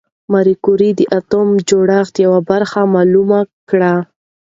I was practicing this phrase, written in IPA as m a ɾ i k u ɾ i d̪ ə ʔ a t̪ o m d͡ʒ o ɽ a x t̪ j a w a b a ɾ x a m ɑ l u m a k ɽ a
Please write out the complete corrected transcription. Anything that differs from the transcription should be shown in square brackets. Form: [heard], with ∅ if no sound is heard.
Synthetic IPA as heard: m a ɾ i k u ɾ i d̪ ə ʔ a t̪ o m d͡ʒ o ɽ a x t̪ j a w a b a ɾ x a m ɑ l u m a k ɽ a